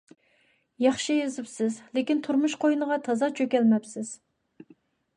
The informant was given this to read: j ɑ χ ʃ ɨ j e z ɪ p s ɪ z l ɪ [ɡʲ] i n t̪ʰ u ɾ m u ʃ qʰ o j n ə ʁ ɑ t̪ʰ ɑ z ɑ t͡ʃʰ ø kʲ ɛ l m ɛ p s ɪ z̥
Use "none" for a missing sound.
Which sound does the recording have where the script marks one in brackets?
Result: kʲ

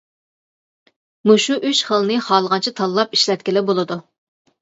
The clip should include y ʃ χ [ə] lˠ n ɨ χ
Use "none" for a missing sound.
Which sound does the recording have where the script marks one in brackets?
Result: ə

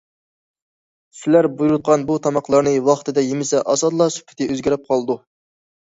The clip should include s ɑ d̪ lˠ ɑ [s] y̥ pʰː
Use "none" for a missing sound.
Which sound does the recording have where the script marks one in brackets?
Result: s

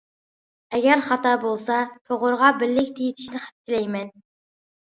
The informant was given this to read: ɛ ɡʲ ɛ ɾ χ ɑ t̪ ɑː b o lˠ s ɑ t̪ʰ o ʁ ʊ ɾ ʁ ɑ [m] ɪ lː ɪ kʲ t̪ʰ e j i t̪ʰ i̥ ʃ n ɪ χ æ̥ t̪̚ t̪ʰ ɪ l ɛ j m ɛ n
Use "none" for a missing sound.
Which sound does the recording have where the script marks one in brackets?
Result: b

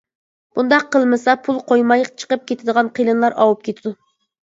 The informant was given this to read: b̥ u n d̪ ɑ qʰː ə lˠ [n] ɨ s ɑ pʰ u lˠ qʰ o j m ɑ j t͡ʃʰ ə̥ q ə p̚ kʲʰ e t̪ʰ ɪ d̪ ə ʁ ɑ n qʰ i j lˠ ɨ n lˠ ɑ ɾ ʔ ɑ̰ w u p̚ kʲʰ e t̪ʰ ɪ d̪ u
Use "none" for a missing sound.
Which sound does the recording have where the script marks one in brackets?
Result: m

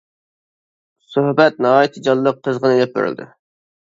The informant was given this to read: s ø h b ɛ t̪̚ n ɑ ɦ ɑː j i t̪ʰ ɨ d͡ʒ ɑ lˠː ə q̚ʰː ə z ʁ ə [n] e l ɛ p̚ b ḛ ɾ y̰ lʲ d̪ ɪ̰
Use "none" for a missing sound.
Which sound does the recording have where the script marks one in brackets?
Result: n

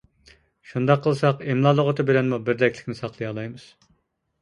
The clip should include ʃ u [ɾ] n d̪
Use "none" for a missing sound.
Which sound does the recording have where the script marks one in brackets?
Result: none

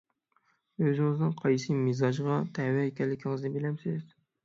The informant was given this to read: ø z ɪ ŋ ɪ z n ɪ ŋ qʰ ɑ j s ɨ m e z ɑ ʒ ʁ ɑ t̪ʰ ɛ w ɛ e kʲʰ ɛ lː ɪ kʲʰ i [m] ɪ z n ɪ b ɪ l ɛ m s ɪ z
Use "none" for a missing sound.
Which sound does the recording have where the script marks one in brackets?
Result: ŋ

